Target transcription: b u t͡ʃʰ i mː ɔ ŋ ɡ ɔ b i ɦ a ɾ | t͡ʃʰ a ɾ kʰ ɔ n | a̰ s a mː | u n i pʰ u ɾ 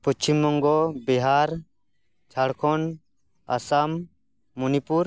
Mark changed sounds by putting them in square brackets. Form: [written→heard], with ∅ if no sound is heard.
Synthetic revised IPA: [b→p] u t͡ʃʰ i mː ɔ ŋ ɡ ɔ b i ɦ a ɾ | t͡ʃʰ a [ɾ→ɽ] kʰ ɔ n | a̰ s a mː | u n i [pʰ→p] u ɾ